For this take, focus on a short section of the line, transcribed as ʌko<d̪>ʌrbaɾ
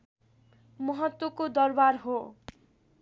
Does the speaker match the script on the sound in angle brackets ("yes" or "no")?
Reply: yes